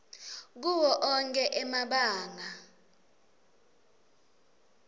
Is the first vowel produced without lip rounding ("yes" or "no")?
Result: no